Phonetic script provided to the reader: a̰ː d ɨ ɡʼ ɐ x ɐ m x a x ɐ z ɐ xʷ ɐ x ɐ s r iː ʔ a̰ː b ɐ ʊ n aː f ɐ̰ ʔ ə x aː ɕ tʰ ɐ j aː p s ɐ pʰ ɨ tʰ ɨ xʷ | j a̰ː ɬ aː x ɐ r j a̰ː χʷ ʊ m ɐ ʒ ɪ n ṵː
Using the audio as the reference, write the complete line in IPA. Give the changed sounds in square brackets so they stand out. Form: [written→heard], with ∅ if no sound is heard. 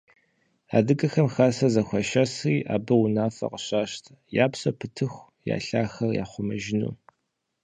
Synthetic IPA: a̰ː d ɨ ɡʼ ɐ x ɐ m x a [x→s] ɐ z ɐ xʷ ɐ [x→ʃ] ɐ s r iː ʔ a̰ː b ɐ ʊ n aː f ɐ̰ [ʔ→q] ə [x→ɕ] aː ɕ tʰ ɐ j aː p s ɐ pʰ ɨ tʰ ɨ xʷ | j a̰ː ɬ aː x ɐ r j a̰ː χʷ ʊ m ɐ ʒ ɪ n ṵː